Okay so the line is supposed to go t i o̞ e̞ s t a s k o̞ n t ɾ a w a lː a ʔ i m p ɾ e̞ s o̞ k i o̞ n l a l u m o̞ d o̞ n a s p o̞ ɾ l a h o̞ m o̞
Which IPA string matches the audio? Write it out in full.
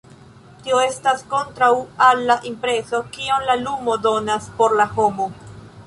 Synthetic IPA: t i o̞ e̞ s t a s k o̞ n t ɾ a w a lː a ʔ i m p ɾ e̞ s o̞ k i o̞ n l a l u m o̞ d o̞ n a s p o̞ ɾ l a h o̞ m o̞

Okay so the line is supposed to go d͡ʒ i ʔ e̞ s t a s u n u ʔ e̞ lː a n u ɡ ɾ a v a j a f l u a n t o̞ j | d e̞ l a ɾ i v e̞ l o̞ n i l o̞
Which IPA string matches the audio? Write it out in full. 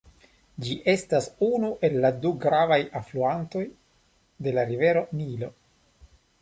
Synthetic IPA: d͡ʒ i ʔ e̞ s t a s u n u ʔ e̞ lː a d u ɡ ɾ a v a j a f l u a n t o̞ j | d e̞ l a ɾ i v e̞ ɾ o̞ n i l o̞

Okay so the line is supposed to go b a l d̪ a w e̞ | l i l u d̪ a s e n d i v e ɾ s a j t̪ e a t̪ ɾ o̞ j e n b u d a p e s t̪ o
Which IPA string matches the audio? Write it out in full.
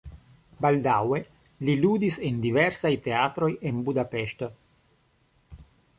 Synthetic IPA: b a l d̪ a w e̞ | l i l u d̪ i s e n d i v e ɾ s a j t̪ e a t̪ ɾ o̞ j e n b u d a p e ʃ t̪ o

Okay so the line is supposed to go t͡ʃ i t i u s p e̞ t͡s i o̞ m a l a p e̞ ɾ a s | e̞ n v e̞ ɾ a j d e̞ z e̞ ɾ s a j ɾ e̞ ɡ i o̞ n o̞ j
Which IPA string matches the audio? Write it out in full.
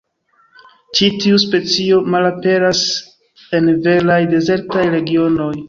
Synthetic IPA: t͡ʃ i t i u s p e̞ t͡s i o̞ m a l a p e̞ ɾ a s | e̞ n v e̞ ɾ a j d e̞ z e̞ ɾ t a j ɾ e̞ ɡ i o̞ n o̞ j

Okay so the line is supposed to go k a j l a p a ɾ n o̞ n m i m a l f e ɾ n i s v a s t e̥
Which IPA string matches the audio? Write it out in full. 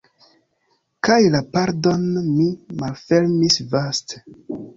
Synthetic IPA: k a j l a p a ɾ d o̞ n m i m a l f e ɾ m i s v a s t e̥

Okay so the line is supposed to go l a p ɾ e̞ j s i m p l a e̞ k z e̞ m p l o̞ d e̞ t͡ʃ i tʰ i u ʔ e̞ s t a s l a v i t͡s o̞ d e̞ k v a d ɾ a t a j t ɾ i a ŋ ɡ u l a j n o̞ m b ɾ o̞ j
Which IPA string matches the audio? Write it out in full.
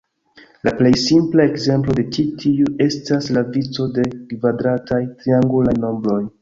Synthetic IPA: l a p l e̞ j s i m p l a e̞ k z e̞ m p l o̞ d e̞ t͡ʃ i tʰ i u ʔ e̞ s t a s l a v i t͡s o̞ d e̞ k v a d ɾ a t a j t ɾ i a ŋ ɡ u l a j n o̞ m b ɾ o̞ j

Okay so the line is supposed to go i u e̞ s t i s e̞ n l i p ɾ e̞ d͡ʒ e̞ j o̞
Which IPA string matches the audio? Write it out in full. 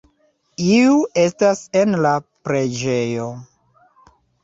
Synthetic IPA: i u e̞ s t a s e̞ n l a p ɾ e̞ d͡ʒ e̞ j o̞

